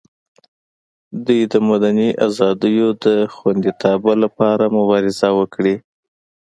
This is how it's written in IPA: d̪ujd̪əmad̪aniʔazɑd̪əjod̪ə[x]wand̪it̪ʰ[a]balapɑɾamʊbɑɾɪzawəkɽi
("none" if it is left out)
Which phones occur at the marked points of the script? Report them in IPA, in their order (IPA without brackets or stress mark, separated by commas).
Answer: x, ɑ